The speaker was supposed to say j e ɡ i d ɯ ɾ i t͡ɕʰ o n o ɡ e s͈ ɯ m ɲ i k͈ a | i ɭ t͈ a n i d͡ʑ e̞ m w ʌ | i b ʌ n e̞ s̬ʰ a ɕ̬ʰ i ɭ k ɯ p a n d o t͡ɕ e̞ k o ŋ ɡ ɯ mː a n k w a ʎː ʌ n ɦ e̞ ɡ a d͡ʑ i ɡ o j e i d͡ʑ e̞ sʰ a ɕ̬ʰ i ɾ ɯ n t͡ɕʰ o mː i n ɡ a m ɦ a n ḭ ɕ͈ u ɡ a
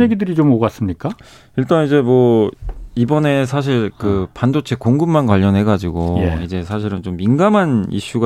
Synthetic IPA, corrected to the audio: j e ɡ i d ɯ ɾ i t͡ɕ o m o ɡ a s͈ ɯ m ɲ i k͈ a | i ɭ t͈ a n i d͡ʑ e̞ m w ʌ | i b ʌ n e̞ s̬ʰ a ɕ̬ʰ i ɭ k ɯ p a n d o t͡ɕʰ e̞ k o ŋ ɡ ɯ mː a n k w a ʎː ʌ n ɦ e̞ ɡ a d͡ʑ i ɡ o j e i d͡ʑ e̞ sʰ a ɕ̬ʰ i ɾ ɯ n t͡ɕ o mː i n ɡ a m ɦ a n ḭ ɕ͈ u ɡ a